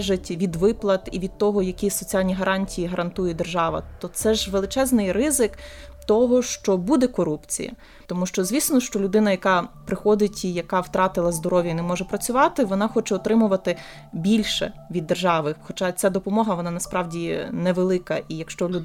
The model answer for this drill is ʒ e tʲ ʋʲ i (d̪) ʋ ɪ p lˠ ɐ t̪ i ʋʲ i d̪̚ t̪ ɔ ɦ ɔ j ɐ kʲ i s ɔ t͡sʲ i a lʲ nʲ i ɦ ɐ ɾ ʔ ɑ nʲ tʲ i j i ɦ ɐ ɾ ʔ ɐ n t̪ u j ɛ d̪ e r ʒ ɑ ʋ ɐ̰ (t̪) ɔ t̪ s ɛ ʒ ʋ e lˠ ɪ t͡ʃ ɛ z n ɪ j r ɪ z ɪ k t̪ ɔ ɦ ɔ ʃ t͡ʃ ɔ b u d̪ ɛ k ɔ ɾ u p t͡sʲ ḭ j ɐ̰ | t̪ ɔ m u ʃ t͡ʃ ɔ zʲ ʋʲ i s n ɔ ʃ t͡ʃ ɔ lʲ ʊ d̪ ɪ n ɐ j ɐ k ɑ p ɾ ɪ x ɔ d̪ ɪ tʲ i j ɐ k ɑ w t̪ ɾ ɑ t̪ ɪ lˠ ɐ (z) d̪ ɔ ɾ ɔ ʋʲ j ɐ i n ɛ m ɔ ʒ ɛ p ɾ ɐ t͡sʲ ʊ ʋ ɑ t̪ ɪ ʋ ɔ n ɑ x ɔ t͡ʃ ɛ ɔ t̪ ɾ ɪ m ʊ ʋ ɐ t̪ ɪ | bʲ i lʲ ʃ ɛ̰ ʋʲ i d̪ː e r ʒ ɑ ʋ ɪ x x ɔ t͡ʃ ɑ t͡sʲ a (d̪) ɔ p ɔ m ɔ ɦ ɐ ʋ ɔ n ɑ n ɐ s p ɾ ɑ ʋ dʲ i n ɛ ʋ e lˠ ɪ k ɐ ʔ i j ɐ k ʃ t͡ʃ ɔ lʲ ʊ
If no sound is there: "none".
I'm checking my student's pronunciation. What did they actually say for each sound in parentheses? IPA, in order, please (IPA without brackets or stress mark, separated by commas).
d̪, t̪, z, d̪